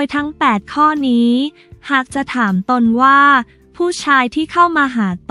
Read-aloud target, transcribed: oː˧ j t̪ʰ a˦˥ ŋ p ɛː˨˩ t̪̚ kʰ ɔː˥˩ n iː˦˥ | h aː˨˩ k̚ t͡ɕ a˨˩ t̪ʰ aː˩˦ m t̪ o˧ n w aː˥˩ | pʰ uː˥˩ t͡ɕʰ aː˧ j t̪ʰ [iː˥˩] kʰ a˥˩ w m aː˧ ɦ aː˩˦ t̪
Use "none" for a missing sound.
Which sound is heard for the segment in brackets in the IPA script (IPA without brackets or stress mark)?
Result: iː˥˩